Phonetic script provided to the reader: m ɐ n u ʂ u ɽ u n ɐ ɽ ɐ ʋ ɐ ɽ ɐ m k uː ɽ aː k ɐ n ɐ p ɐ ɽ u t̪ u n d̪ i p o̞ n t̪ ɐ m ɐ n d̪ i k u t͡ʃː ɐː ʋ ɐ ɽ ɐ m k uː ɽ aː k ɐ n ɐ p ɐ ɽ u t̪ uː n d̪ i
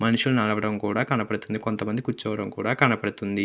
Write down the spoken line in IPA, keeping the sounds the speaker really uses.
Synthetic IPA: m ɐ n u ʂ u l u n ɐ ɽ ɐ ʋ ɐ ɽ ɐ m k uː ɽ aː k ɐ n ɐ p ɐ ɽ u t̪ u n d̪ i k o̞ n t̪ ɐ m ɐ n d̪ i k u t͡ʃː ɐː ʋ ɐ ɽ ɐ m k uː ɽ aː k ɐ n ɐ p ɐ ɽ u t̪ u n d̪ i

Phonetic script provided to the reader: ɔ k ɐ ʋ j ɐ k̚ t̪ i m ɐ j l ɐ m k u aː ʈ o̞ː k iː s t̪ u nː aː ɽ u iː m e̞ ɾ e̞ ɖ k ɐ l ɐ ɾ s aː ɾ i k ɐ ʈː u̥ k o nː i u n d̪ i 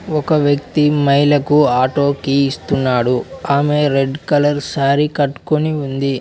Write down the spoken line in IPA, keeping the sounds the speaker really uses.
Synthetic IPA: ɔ k ɐ ʋ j ɐ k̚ t̪ i m ɐ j l ɐ k u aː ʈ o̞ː k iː s t̪ u nː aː ɽ u aː m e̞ ɾ e̞ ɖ k ɐ l ɐ ɾ s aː ɾ i k ɐ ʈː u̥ k o n i u n d̪ i

